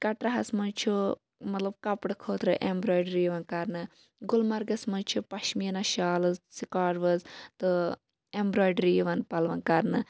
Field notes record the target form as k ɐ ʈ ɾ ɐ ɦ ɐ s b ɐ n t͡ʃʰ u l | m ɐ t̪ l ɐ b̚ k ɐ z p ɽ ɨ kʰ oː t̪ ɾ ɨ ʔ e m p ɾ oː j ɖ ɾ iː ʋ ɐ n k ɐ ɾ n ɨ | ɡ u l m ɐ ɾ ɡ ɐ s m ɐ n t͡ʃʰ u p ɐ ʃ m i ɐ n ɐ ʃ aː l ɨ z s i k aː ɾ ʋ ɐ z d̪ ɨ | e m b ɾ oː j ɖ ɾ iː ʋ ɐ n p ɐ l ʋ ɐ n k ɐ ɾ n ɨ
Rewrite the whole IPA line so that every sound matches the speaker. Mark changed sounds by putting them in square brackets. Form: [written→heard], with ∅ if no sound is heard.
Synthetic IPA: k ɐ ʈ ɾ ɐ ɦ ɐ s [b→m] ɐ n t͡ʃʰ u [l→∅] | m ɐ t̪ l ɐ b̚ k ɐ [z→∅] p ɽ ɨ kʰ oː t̪ ɾ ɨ ʔ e m [p→b] ɾ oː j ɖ ɾ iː ʋ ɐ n k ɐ ɾ n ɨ | ɡ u l m ɐ ɾ ɡ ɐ s m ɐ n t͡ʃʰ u p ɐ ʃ m i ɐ n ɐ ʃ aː l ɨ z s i k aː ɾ ʋ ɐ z [d̪→t̪] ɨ | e m b ɾ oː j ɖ ɾ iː ʋ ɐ n p ɐ l ʋ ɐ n k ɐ ɾ n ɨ